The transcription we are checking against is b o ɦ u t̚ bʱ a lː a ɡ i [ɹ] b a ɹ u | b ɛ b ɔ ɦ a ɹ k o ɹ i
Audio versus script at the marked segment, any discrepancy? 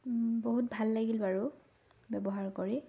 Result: yes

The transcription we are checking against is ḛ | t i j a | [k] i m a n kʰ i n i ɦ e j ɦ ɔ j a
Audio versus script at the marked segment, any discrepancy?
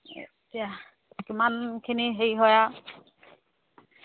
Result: no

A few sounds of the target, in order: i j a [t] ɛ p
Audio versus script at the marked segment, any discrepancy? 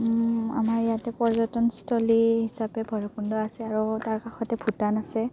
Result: no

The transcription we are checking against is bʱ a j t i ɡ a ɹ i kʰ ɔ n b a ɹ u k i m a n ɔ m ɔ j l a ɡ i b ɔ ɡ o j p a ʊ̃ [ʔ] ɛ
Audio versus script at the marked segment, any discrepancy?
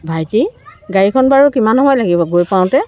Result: yes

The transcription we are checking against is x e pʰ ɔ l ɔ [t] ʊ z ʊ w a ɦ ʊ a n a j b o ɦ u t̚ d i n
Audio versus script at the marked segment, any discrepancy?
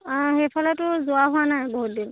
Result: no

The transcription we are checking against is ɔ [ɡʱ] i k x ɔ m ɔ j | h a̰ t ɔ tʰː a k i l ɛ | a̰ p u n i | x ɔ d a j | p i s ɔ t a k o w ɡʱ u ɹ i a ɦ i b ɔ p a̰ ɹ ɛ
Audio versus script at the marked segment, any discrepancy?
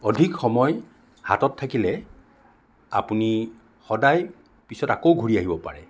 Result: yes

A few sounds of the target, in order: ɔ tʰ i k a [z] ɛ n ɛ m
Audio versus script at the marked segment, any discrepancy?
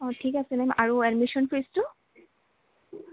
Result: yes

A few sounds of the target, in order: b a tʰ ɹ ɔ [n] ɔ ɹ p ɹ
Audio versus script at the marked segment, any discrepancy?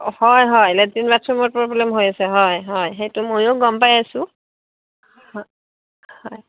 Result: yes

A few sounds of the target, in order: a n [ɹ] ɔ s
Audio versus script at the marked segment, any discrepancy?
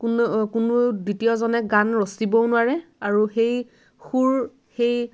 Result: no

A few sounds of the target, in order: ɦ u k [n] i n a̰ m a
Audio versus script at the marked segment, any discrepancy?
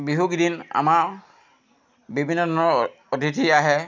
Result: yes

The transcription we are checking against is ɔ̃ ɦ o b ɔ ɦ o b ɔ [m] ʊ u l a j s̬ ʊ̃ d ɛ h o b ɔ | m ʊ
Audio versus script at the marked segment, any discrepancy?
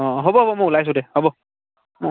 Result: no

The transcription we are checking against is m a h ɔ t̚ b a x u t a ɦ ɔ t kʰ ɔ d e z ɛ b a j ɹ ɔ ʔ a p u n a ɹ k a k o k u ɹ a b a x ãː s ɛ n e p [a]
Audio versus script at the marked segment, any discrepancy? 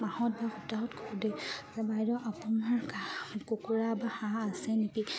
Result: yes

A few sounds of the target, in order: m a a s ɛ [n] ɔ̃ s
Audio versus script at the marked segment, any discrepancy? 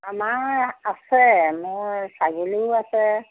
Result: yes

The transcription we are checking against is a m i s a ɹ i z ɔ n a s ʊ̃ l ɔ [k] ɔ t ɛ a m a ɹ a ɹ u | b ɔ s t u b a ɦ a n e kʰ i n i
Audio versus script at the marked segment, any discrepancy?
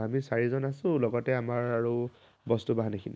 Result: yes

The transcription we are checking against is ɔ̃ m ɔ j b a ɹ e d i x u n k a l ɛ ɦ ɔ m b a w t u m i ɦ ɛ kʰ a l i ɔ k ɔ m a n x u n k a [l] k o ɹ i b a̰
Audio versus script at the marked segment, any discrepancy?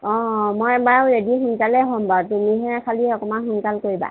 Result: no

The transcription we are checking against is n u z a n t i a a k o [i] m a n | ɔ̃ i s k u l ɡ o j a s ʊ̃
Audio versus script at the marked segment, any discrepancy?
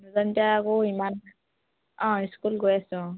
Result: no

